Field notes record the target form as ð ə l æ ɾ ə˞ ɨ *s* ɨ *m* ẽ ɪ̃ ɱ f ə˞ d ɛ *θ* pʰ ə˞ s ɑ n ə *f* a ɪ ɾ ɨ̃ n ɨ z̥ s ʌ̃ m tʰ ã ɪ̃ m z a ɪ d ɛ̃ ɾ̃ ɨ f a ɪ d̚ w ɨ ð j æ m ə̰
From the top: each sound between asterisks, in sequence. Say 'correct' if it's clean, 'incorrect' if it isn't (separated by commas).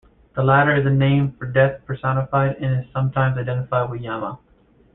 incorrect, incorrect, correct, correct